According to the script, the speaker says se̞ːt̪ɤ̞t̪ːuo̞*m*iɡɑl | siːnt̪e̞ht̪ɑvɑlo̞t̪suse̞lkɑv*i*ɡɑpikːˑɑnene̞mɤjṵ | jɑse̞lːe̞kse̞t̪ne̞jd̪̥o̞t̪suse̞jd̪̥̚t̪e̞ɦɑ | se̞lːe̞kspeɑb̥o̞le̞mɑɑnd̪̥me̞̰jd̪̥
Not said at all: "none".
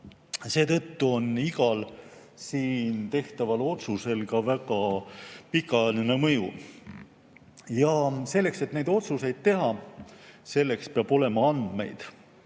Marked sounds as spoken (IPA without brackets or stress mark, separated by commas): n, æ